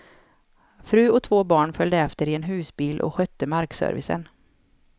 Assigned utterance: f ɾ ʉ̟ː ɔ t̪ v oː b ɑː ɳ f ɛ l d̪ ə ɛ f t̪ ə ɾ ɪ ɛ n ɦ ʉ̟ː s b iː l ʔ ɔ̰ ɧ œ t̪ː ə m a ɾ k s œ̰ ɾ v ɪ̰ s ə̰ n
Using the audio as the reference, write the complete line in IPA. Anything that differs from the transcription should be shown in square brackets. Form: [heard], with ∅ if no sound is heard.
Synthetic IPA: f ɾ ʉ̟ː ɔ [t̪ʰ] v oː b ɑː ɳ f [œ] l d̪ ə ɛ f t̪ ə ɾ ɪ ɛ n ɦ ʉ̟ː s b iː l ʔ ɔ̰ ɧ œ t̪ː ə m a ɾ k s œ̰ ɾ v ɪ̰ s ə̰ n